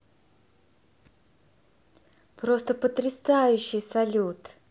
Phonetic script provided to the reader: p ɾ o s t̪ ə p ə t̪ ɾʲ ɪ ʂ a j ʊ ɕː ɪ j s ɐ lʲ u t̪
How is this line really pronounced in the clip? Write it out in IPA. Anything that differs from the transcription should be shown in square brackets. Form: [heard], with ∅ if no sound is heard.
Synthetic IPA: p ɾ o s t̪ ə p ə t̪ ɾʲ ɪ [s] a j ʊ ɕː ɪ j s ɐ lʲ u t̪

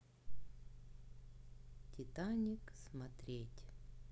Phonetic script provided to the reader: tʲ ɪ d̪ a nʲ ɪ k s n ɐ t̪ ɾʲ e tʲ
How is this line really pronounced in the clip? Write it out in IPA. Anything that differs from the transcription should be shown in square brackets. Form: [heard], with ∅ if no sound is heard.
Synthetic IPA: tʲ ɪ [t̪] a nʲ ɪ k s [m] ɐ t̪ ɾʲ e tʲ

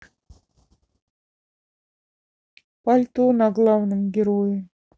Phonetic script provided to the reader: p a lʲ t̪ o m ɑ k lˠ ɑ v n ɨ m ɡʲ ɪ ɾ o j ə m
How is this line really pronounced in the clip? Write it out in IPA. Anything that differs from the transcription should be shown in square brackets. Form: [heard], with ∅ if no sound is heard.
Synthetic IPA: p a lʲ t̪ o [n] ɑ [ɡ] lˠ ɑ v n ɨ m ɡʲ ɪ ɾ o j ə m

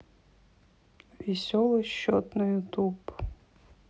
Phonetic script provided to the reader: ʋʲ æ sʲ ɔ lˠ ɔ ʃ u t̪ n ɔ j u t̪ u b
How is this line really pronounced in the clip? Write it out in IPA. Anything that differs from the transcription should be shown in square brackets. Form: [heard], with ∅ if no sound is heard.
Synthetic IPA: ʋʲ [i] sʲ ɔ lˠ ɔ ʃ [ɔ] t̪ n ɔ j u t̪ u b

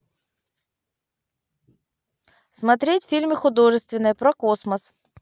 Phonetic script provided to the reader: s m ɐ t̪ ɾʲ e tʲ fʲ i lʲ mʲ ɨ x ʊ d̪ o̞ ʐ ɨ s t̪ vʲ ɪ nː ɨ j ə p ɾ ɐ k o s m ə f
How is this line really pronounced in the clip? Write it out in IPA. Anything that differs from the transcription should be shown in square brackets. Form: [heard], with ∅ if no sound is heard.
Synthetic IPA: s m ɐ t̪ ɾʲ e tʲ fʲ i lʲ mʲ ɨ x ʊ d̪ o̞ ʐ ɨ s t̪ vʲ ɪ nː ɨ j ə p ɾ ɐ k o s m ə [s]

